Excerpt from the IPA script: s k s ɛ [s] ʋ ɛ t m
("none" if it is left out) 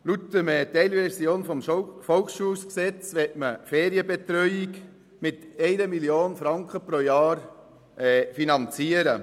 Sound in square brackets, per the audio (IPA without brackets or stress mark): t͡s